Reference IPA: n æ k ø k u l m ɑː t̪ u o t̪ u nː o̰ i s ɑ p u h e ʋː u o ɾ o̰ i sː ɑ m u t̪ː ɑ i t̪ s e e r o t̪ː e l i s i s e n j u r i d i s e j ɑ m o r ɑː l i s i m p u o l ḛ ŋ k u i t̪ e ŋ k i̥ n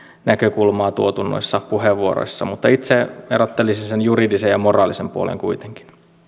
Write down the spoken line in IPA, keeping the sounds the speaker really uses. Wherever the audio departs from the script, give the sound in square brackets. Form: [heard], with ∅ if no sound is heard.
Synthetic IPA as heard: n æ k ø k u l m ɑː t̪ u o t̪ u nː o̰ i [sː] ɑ p u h e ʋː u o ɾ o̰ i sː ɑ m u t̪ː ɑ i t̪ s e e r o t̪ː e l i s i s e n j u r i d i s e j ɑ m o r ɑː l i s [e] m p u o l ḛ ŋ k u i t̪ e ŋ k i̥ n

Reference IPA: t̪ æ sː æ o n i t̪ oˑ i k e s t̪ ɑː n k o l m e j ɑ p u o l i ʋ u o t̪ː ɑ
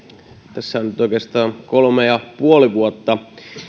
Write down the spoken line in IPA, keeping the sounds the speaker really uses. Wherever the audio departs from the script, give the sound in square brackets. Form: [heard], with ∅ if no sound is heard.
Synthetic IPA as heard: t̪ æ sː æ o n [y] t̪ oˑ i k e s t̪ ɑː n k o l m e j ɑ p u o l i ʋ u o t̪ː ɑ

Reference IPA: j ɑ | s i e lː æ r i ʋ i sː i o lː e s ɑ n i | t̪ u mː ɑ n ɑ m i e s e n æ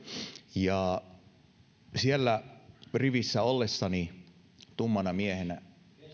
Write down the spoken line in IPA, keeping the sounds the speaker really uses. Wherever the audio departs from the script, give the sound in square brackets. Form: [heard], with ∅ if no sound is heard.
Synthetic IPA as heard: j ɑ | s i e lː æ r i ʋ i sː [æ] o lː e [sː] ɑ n i | t̪ u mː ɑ n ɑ m i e [h] e n æ

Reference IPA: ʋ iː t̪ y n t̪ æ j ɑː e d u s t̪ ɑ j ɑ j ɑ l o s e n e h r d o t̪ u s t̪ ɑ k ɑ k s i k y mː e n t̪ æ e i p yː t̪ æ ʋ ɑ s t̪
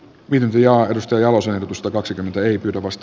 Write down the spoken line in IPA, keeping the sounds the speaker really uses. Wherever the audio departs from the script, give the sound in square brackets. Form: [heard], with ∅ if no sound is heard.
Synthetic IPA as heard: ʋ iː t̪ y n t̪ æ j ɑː e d u s t̪ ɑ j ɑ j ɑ l o s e n e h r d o t̪ u s t̪ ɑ k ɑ k s i k y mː e n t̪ æ e i p yː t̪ æ ʋ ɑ s t̪

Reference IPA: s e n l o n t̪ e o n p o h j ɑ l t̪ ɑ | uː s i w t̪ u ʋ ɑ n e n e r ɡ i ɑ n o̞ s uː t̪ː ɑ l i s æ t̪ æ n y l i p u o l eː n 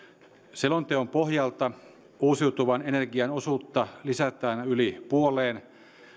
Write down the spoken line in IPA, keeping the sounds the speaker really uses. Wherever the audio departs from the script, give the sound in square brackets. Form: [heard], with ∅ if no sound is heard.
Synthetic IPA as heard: s e [∅] l o n t̪ e o [m] p o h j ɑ l t̪ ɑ | uː s i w t̪ u ʋ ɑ n e n e r ɡ i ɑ n o̞ s uː t̪ː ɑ l i s æ t̪ [æː] n y l i p u o l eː n

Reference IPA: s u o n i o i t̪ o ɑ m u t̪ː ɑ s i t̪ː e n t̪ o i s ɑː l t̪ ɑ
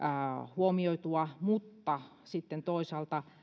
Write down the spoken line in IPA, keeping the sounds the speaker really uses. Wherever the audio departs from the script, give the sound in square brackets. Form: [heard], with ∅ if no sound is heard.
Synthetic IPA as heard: [h] u o [m] i o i t̪ [u] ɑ m u t̪ː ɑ s i t̪ː e n t̪ o i s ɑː l t̪ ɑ

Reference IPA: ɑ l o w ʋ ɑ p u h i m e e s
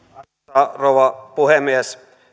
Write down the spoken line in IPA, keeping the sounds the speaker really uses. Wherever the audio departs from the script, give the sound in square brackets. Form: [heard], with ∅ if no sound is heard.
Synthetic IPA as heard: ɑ [r] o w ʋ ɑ p u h [e] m [i] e s

